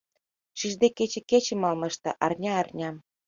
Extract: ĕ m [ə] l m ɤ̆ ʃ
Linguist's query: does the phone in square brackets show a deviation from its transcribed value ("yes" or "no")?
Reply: yes